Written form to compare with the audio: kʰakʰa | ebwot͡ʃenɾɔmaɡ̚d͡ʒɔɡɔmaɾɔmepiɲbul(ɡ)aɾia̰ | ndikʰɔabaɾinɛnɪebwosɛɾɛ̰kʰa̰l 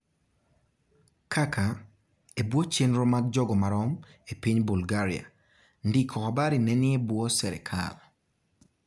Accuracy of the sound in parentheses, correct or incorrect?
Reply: correct